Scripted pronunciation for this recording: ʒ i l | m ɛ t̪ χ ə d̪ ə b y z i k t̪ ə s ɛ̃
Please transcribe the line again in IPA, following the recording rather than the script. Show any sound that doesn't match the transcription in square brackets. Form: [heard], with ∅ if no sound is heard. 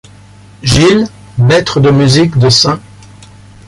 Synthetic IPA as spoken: ʒ i l | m ɛ t̪ χ ə d̪ ə [m] y z i k [d̪] ə s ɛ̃